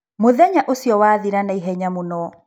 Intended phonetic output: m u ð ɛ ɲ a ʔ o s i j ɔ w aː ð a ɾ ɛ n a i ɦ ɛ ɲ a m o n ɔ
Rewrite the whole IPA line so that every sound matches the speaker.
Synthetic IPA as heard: m o ð ɛ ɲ a ʔ o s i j ɔ w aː ð i ɾ a n a i ɦ ɛ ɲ a m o n ɔ